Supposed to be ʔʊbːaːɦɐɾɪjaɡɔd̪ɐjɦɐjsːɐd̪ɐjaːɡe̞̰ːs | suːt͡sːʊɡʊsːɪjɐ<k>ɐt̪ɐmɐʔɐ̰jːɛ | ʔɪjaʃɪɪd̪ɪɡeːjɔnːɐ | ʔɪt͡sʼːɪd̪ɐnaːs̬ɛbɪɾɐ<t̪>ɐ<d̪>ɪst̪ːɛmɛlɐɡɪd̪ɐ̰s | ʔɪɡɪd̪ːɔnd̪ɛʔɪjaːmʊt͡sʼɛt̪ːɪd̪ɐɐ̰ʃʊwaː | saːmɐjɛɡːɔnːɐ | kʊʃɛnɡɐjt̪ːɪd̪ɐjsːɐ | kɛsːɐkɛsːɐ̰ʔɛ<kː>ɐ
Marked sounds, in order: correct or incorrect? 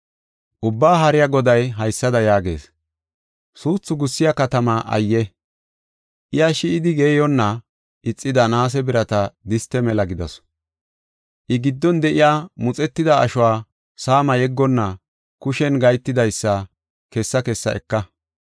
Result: correct, correct, correct, correct

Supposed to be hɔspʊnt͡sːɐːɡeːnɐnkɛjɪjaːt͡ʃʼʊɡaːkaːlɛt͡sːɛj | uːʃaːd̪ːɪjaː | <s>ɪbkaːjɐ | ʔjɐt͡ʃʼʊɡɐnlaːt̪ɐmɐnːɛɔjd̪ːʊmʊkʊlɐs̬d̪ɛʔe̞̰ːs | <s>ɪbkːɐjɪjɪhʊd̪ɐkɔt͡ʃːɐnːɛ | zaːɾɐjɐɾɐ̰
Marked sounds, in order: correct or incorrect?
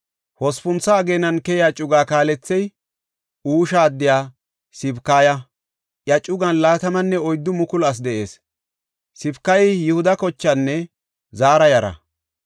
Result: correct, correct

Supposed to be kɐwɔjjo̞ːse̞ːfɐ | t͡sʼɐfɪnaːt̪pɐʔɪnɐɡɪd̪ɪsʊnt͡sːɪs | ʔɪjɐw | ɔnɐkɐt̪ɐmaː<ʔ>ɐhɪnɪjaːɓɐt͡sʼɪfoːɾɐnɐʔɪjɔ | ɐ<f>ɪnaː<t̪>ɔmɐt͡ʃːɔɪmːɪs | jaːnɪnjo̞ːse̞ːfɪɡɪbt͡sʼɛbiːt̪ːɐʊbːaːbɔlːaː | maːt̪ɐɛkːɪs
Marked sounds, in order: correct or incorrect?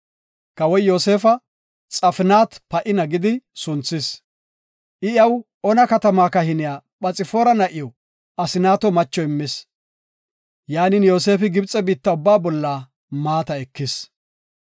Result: incorrect: k, incorrect: s, correct

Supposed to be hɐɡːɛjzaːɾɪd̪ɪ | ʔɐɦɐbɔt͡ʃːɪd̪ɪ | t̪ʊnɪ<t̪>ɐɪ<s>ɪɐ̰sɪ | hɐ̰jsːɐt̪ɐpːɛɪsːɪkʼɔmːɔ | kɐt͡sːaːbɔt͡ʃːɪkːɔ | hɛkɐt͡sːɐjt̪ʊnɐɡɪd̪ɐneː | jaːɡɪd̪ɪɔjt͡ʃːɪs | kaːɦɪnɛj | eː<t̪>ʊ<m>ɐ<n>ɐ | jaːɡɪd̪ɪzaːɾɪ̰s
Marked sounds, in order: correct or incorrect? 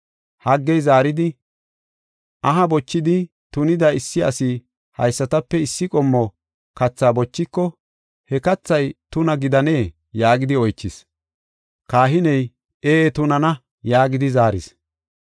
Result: incorrect: d̪, incorrect: sː, correct, incorrect: n, correct

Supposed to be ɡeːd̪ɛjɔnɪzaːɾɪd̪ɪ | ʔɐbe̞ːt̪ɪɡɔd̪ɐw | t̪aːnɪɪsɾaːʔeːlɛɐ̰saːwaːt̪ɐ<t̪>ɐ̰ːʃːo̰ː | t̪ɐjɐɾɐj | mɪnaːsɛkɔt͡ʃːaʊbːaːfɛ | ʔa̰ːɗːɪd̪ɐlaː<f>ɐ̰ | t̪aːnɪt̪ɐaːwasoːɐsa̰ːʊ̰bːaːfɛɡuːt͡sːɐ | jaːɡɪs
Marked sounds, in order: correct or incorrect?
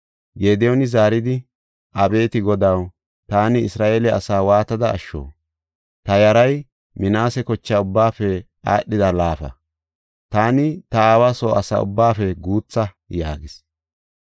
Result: incorrect: d̪, correct

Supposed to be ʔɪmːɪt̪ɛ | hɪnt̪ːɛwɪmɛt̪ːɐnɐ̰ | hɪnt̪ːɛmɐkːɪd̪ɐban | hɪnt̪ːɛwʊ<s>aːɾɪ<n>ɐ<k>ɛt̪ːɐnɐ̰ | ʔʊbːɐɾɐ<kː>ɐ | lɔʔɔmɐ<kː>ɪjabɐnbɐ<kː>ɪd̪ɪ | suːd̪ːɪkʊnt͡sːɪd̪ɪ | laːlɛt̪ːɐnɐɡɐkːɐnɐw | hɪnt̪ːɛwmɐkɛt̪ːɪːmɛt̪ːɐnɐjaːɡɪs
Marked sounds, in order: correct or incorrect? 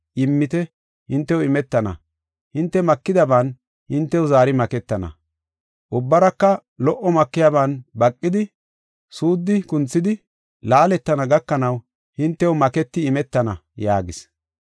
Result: incorrect: z, incorrect: m, correct, correct, correct, incorrect: kʼː

